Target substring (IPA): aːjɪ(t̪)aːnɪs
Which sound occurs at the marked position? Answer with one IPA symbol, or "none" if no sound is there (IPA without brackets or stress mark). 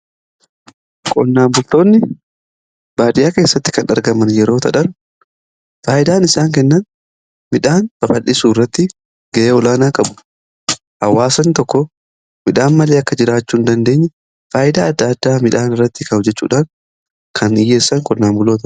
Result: d̪